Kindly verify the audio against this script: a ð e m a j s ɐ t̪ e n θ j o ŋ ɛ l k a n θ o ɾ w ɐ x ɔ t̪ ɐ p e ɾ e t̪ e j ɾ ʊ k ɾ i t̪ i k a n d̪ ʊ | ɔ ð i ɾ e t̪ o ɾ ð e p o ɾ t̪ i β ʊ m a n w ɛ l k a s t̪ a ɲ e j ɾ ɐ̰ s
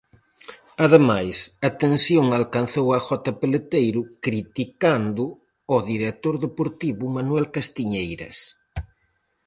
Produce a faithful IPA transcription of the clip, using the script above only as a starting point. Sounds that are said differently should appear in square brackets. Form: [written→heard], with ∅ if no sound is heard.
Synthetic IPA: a ð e m a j s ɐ t̪ e n [θ→s] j o ŋ [ɛ→a] l k a n θ o [ɾ→∅] w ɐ x ɔ t̪ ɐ p e [ɾ→l] e t̪ e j ɾ ʊ k ɾ i t̪ i k a n d̪ ʊ | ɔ ð i ɾ e t̪ o ɾ ð e p o ɾ t̪ i β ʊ m a n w ɛ l k a s t̪ [a→i] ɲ e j ɾ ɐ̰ s